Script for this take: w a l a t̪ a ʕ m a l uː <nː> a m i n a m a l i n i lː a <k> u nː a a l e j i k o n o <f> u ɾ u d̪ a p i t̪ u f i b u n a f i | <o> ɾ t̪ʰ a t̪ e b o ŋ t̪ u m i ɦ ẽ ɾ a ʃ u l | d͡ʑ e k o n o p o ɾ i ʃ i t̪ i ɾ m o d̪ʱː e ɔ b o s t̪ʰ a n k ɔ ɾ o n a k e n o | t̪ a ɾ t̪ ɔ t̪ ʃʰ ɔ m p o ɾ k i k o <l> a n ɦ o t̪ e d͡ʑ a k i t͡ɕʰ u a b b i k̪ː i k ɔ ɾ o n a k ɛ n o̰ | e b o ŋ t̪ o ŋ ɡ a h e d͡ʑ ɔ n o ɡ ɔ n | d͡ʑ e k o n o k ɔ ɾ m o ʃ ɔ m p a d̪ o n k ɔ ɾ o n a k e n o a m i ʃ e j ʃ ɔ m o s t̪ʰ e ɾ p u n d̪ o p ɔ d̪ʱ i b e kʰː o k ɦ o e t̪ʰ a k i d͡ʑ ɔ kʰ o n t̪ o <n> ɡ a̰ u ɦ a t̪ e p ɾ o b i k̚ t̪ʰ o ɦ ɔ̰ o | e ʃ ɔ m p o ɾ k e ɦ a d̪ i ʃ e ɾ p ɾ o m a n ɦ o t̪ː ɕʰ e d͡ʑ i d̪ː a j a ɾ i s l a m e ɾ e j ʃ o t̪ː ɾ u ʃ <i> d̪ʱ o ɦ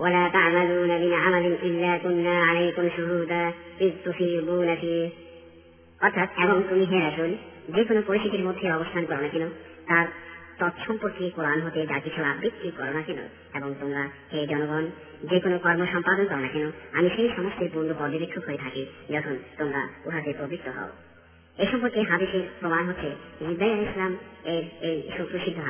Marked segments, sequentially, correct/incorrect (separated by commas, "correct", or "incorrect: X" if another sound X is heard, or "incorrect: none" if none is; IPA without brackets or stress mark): incorrect: n, correct, incorrect: ʃ, incorrect: ɔ, incorrect: ɾ, incorrect: ŋ, correct